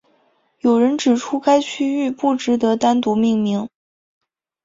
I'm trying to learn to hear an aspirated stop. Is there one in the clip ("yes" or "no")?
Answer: yes